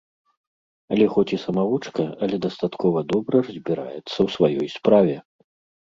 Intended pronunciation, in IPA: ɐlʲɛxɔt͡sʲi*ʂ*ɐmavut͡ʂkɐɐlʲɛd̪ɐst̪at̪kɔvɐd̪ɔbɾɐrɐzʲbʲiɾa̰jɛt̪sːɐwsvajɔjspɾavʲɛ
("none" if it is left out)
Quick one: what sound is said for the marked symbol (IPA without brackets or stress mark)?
s